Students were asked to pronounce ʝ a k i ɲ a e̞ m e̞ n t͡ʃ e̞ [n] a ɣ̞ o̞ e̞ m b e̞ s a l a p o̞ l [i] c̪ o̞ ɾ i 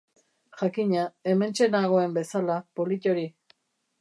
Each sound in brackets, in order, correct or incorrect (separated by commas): correct, correct